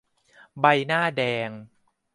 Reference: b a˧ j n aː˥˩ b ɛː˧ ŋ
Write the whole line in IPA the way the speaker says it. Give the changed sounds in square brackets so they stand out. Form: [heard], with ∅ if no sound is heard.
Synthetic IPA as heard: b a˧ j n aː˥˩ [d] ɛː˧ ŋ